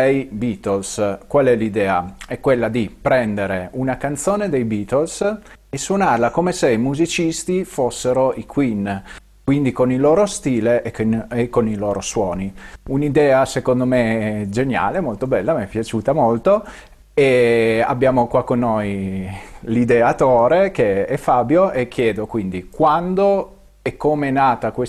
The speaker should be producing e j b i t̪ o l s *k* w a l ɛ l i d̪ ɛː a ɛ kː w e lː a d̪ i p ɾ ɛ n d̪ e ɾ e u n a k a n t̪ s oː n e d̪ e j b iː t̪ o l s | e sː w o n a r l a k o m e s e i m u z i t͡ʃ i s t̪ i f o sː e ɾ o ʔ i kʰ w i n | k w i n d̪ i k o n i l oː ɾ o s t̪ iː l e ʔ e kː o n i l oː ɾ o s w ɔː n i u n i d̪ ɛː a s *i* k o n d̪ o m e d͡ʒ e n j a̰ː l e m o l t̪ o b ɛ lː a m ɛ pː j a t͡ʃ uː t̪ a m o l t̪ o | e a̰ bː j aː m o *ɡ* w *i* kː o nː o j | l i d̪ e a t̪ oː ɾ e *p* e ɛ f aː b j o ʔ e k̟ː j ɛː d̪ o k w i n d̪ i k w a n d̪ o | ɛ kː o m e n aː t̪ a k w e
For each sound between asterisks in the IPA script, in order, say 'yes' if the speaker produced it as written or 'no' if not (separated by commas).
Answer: yes, no, no, no, no